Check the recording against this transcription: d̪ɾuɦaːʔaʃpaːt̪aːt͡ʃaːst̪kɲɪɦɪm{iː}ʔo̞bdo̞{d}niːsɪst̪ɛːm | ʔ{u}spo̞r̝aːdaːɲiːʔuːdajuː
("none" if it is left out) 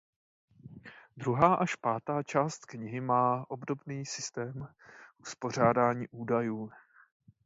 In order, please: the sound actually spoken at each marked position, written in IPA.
aː, b, u

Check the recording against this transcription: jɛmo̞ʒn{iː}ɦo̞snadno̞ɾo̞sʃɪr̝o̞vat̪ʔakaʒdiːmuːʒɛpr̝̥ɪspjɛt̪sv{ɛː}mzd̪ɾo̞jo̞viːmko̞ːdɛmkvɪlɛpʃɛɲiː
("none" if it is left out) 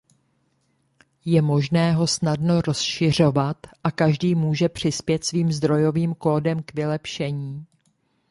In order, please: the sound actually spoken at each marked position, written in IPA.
ɛː, iː

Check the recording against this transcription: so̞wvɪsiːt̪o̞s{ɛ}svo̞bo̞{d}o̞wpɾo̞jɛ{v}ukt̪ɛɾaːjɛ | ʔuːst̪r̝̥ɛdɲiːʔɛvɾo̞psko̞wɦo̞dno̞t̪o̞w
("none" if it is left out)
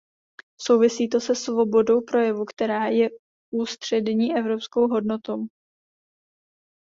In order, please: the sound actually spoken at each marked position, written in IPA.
ɛ, d, v

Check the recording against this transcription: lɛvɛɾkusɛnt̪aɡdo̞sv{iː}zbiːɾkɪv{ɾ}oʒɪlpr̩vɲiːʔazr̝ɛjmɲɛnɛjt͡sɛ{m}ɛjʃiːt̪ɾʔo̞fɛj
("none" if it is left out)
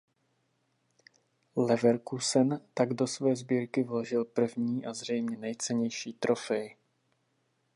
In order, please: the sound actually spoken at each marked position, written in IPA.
ɛː, l, ɲ

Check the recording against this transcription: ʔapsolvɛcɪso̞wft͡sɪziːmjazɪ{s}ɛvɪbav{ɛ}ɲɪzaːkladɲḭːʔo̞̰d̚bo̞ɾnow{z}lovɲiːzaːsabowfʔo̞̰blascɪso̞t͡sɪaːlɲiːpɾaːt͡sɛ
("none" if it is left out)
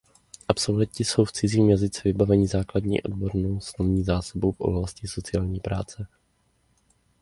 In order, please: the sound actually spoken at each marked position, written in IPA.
t͡s, ɛ, s

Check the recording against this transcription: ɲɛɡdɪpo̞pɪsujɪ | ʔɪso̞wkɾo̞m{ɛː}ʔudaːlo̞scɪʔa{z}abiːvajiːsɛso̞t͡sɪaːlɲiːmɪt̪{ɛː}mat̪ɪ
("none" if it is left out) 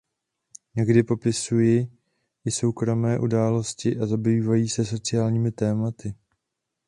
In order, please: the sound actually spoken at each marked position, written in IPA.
ɛː, z, ɛː

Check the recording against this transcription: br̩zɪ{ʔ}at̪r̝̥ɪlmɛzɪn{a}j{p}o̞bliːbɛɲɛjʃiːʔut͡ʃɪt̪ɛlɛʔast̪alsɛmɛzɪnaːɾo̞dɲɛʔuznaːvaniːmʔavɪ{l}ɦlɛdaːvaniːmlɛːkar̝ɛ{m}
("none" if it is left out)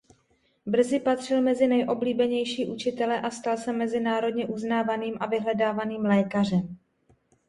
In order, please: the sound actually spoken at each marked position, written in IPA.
p, ɛ, ʔ, none, m

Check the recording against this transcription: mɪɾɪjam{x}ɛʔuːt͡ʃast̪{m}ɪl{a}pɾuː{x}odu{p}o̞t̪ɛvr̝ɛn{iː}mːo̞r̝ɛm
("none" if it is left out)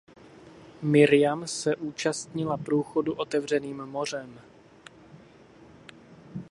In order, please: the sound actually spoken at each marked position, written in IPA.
s, ɲ, a, x, ʔ, iː

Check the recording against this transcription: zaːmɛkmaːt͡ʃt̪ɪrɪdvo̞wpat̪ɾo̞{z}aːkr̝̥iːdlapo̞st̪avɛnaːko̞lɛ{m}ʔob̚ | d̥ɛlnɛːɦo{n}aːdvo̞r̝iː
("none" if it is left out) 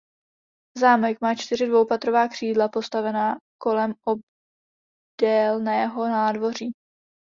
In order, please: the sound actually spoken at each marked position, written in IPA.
v, m, n

